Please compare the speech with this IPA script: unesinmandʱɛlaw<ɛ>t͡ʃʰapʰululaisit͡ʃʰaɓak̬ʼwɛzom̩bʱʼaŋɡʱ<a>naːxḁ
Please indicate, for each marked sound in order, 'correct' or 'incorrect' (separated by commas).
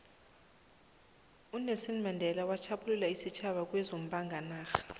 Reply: incorrect, correct